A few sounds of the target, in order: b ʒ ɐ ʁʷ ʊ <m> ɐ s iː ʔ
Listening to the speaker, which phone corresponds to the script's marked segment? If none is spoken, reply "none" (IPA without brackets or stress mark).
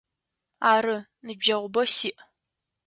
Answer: b